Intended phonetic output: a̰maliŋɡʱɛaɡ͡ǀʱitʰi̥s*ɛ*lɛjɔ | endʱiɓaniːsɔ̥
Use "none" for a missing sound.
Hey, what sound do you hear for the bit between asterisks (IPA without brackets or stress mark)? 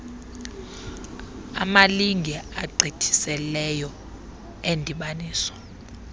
ɛ